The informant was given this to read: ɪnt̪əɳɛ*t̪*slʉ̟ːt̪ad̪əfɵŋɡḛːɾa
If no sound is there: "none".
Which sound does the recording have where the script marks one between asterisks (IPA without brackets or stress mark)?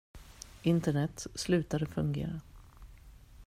t̪